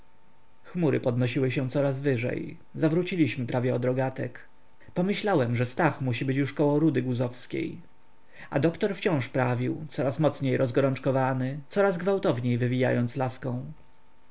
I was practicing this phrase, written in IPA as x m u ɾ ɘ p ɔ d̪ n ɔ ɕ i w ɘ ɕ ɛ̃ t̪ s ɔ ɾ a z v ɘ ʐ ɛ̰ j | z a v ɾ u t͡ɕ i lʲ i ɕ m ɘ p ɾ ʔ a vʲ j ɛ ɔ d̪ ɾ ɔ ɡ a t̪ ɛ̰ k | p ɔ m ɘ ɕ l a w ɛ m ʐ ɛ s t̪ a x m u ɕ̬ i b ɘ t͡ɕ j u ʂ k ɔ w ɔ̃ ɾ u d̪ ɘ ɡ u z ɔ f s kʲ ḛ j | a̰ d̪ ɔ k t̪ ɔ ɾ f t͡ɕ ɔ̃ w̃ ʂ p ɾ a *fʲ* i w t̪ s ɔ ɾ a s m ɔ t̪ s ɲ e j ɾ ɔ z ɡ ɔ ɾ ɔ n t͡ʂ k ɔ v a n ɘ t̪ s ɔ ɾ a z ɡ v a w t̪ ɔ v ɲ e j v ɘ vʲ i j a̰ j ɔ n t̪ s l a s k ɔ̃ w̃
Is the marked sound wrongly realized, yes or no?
yes